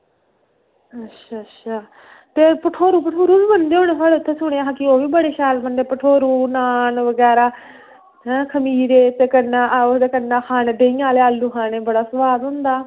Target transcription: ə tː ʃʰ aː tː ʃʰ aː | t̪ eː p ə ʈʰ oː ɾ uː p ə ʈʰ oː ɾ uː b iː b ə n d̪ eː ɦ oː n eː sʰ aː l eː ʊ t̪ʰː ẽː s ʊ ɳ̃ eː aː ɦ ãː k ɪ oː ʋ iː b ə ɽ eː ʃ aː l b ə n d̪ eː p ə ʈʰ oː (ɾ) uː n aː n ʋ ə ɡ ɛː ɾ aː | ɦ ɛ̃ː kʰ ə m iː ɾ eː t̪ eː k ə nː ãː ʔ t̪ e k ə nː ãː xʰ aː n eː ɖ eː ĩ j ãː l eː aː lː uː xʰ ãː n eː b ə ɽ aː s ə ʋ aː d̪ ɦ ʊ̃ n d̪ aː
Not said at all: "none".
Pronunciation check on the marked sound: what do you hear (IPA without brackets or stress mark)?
ɾ